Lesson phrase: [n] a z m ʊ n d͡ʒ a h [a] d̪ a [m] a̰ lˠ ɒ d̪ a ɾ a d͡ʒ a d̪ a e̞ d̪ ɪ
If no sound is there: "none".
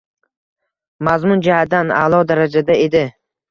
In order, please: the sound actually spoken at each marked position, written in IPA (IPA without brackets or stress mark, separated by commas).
m, a, n